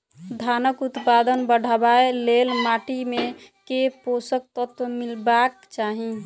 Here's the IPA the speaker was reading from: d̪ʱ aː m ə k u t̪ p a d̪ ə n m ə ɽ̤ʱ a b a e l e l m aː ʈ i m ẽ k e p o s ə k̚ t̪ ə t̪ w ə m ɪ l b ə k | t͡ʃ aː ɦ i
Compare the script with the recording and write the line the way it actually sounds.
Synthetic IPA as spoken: d̪ʱ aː n ə k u t̪ p a d̪ ə n b ə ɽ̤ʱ a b a e l e l m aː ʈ i m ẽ k e p o s ə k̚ t̪ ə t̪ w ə m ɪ l b a k | t͡ʃ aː ɦ i

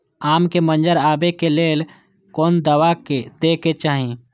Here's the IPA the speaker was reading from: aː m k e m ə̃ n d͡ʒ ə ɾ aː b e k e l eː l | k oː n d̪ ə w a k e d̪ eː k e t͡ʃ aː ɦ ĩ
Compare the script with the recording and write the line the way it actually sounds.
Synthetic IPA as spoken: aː m k e m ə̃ n d͡ʒ ə ɾ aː b e k e l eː l | k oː n d̪ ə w a k e d̪ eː k e t͡ʃ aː ɦ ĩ

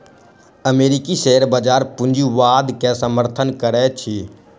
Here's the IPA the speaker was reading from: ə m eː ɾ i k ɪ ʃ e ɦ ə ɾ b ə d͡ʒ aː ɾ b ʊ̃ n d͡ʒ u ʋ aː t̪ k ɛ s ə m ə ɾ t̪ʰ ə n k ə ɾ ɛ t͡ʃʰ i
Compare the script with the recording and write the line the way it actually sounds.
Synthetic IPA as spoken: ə m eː ɾ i k i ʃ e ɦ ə ɾ b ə d͡ʒ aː ɾ p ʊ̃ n d͡ʒ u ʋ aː d̪ k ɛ s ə m ə ɾ t̪ʰ ə n k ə ɾ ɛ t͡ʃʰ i

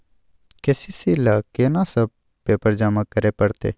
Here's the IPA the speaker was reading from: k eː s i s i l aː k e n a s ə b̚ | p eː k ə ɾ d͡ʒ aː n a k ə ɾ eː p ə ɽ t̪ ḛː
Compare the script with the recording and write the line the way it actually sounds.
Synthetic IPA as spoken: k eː s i s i l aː k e n a s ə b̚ | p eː p ə ɾ d͡ʒ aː m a k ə ɾ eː p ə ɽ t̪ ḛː

